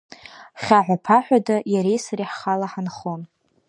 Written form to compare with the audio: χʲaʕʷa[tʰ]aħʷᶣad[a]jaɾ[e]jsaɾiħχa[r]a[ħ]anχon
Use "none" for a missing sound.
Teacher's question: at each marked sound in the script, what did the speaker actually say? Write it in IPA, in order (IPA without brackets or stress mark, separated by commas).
pʰ, a, e, l, ħ